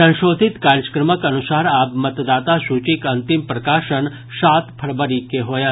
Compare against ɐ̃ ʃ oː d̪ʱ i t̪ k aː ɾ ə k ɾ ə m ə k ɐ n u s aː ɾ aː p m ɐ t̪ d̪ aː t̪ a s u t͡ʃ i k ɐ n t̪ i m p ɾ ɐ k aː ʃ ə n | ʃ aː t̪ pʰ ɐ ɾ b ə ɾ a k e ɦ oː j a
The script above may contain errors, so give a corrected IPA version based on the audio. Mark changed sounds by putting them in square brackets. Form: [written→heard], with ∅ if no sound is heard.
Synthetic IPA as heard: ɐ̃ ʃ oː d̪ʱ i t̪ k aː ɾ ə k ɾ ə m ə k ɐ n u s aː ɾ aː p m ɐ t̪ d̪ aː t̪ a s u t͡ʃ i k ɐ n t̪ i m p ɾ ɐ k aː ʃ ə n | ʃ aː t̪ pʰ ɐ ɾ b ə ɾ [a→i] k e ɦ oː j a